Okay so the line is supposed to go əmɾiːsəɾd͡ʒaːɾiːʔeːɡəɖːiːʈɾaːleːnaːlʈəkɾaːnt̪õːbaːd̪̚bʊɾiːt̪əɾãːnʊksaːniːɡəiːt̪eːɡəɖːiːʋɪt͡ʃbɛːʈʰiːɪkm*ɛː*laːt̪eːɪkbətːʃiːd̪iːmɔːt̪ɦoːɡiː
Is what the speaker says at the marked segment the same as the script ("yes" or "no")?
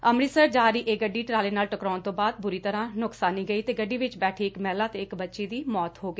yes